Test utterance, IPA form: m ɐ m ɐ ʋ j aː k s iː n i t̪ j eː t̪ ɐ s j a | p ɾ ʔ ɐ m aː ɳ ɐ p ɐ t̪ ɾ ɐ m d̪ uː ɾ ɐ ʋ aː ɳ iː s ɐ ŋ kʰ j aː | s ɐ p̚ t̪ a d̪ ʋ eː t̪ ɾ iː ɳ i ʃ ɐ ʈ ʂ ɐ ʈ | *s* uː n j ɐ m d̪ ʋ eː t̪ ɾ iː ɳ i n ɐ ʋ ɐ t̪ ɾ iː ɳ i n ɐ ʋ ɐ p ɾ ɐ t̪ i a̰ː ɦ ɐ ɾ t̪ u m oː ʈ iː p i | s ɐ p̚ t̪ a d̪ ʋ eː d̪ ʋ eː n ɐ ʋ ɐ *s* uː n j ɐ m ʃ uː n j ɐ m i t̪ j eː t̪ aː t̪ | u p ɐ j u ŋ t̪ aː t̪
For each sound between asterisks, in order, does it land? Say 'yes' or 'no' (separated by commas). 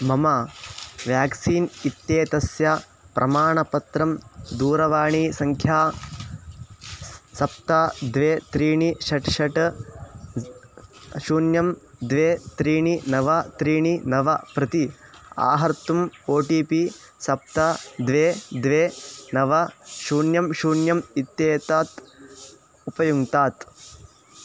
no, no